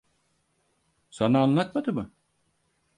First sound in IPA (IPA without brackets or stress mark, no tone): s